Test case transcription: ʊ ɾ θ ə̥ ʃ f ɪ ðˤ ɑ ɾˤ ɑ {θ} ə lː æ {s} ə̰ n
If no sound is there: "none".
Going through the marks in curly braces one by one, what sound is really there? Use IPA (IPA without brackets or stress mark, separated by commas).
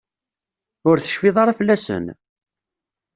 f, s